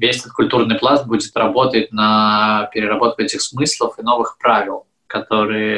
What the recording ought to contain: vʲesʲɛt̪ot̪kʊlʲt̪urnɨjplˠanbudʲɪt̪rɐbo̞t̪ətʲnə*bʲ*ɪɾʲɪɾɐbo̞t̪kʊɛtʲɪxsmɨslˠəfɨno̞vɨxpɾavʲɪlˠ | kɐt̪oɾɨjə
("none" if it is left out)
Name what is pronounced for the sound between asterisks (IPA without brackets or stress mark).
pʲ